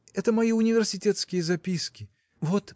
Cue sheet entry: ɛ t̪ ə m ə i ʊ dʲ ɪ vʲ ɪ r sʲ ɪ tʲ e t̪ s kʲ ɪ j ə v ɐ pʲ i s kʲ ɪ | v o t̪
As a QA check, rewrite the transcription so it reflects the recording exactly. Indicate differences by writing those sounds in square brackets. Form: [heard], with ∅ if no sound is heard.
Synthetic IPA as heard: ɛ t̪ ə m [ɐ] i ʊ [nʲ] ɪ vʲ ɪ r sʲ ɪ tʲ e t̪ s kʲ ɪ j ə [z] ɐ pʲ i s kʲ ɪ | v o t̪